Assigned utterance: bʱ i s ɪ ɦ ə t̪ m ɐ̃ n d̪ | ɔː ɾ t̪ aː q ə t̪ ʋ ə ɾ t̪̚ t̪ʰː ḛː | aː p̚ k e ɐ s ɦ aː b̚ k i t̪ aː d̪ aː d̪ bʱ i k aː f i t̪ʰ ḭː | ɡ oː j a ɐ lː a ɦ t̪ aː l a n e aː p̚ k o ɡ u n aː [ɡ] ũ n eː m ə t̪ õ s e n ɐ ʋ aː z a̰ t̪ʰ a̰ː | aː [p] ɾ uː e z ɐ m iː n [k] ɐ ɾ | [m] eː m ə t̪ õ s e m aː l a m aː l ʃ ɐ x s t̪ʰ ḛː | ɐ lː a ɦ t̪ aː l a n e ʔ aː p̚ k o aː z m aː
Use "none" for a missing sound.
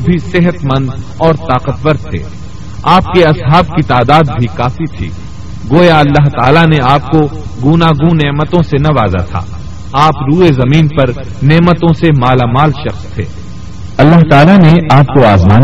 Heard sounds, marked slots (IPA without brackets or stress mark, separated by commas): ɡ, p, p, n